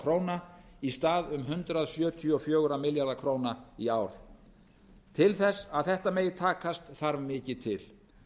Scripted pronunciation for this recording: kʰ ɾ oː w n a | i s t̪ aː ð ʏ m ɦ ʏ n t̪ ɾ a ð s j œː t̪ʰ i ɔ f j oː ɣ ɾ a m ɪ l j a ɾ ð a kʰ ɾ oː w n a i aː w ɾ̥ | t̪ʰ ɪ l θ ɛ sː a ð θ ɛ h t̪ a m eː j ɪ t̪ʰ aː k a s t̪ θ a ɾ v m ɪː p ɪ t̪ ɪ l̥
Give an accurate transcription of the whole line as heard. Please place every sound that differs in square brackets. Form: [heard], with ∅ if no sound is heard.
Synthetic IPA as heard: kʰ ɾ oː w n a | i s t̪ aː ð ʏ m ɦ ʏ n t̪ ɾ a ð s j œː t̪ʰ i ɔ f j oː ɣ ɾ a m ɪ l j a ɾ ð a kʰ ɾ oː w n a i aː w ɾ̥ | t̪ʰ ɪ l θ ɛ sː a ð θ ɛ h t̪ a m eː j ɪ t̪ʰ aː k a s t̪ θ a ɾ v m ɪː [c] ɪ [t̪ʰ] ɪ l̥

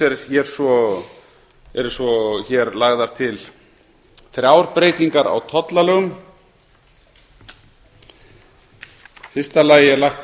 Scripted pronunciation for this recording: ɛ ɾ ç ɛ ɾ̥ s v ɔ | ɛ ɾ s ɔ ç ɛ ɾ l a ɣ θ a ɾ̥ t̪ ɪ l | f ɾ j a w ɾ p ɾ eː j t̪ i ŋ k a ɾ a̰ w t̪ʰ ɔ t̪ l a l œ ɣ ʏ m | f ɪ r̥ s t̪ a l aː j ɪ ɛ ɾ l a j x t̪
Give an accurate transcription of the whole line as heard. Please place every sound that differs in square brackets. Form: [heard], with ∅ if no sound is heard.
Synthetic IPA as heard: ɛ ɾ ç ɛ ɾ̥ s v ɔ | ɛ ɾ s ɔ ç ɛ ɾ l a ɣ [ð] a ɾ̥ [t̪ʰ] ɪ l | [θ] ɾ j a w ɾ p ɾ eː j t̪ i ŋ k a ɾ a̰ w t̪ʰ ɔ t̪ l a l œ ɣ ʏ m | f ɪ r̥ s t̪ a l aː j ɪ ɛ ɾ l a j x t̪

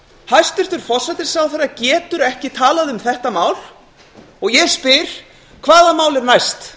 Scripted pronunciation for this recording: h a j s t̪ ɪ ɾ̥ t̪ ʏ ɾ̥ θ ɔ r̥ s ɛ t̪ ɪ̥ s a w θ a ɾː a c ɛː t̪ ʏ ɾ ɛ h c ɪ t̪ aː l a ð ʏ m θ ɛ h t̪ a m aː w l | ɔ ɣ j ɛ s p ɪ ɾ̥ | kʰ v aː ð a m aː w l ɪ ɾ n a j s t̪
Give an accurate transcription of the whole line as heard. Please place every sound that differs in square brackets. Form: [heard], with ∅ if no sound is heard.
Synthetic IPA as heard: h a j s t̪ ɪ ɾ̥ t̪ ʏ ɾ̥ [f] ɔ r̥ s ɛ t̪ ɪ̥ s a w θ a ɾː a c ɛː t̪ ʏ ɾ ɛ h c ɪ [t̪ʰ] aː l a ð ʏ m θ ɛ h t̪ a m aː w l | ɔ ɣ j ɛ s p ɪ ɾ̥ | kʰ v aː ð a m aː w l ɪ ɾ n a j s t̪

